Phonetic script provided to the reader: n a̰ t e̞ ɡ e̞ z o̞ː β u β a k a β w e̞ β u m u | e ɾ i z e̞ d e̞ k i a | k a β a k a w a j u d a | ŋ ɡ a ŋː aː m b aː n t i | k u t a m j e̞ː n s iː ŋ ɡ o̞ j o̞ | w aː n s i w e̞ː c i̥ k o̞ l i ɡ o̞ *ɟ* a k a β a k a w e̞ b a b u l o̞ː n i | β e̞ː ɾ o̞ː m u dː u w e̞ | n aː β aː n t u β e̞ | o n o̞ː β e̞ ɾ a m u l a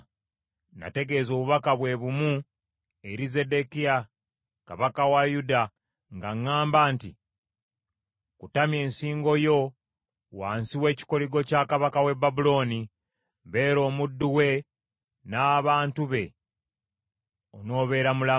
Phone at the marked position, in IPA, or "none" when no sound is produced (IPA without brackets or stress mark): c